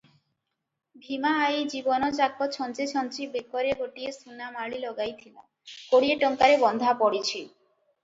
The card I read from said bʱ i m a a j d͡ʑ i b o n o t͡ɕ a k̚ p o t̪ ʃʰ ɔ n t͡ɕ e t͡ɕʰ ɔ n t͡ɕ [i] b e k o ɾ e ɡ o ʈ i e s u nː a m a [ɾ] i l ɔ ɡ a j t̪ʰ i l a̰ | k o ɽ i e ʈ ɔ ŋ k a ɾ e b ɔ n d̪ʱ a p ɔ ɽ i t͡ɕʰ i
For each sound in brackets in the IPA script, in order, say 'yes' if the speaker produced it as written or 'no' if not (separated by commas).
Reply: yes, no